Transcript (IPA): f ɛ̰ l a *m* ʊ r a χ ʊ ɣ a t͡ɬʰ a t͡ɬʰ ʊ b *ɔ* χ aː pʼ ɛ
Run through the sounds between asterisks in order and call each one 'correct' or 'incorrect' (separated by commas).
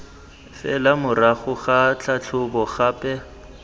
correct, correct